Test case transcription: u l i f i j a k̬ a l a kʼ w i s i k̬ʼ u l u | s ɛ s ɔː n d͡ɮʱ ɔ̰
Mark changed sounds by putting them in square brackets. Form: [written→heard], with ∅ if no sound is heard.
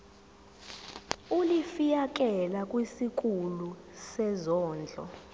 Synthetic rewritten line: u l i f i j a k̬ [a→ɛ] l a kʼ w i s i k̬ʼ u l u | s ɛ [s→z] ɔː n d͡ɮʱ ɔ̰